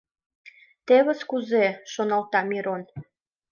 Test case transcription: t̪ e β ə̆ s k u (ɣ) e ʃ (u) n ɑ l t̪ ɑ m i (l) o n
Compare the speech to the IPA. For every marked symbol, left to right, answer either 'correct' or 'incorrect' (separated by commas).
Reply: incorrect, incorrect, incorrect